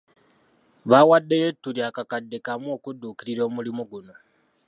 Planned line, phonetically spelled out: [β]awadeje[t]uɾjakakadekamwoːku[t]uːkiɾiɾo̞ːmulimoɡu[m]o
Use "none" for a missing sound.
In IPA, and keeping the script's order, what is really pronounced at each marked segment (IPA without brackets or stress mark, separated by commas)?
β, t, d, n